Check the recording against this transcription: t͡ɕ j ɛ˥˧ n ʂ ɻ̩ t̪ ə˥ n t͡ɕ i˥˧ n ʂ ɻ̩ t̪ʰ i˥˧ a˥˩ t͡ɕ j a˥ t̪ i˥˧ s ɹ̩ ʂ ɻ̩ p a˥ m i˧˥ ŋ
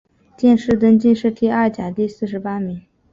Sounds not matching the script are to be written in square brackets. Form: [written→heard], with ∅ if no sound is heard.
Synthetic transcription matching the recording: t͡ɕ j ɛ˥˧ n ʂ ɻ̩ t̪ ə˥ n t͡ɕ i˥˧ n ʂ ɻ̩ t̪ʰ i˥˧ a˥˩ t͡ɕ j [a˥→a˨˩] t̪ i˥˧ s ɹ̩ ʂ ɻ̩ p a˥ m i˧˥ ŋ